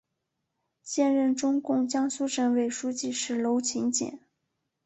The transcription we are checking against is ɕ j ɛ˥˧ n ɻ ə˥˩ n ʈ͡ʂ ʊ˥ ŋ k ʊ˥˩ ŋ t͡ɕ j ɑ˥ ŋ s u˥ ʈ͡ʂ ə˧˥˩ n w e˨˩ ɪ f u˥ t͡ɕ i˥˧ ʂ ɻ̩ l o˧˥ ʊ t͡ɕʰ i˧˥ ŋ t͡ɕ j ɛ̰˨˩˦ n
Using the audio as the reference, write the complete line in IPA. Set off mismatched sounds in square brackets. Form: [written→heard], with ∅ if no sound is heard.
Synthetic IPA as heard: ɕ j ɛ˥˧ n ɻ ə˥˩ n ʈ͡ʂ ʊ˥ ŋ k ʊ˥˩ ŋ t͡ɕ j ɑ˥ ŋ s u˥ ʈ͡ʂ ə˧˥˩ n w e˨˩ ɪ [f→ʂ] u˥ t͡ɕ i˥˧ ʂ ɻ̩ l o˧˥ ʊ t͡ɕʰ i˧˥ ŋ t͡ɕ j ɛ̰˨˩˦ n